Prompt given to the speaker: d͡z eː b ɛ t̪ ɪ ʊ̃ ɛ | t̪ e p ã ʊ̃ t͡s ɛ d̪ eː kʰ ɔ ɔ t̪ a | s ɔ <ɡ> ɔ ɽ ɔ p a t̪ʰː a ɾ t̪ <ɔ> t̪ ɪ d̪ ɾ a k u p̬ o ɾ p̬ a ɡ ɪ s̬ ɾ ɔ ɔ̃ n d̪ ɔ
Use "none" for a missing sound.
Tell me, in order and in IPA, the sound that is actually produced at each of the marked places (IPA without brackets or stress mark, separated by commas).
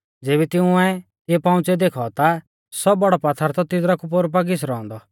b, ɔ